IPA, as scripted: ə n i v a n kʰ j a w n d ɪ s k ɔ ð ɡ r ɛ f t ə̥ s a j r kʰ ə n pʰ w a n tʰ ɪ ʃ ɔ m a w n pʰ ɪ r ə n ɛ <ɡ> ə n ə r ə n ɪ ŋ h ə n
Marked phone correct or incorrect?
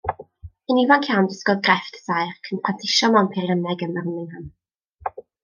correct